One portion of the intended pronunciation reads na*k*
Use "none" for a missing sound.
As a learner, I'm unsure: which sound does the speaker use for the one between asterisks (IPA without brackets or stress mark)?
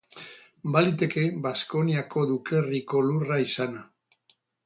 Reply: none